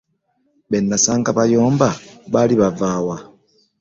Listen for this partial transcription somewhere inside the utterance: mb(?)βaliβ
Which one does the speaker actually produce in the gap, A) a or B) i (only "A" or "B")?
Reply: A